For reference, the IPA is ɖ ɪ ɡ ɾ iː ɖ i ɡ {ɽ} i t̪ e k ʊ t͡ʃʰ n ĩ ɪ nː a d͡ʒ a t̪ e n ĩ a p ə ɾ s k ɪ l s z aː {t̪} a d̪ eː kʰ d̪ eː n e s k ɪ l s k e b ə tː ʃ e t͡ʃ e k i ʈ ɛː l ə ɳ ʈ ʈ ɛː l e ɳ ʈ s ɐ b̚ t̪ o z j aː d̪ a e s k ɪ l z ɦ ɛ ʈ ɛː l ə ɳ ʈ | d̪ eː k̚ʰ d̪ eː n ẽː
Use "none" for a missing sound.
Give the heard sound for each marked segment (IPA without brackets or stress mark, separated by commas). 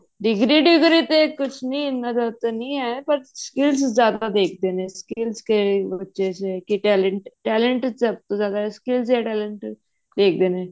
ɾ, d̪